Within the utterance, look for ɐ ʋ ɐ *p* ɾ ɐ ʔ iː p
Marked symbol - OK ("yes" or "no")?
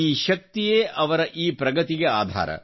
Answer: no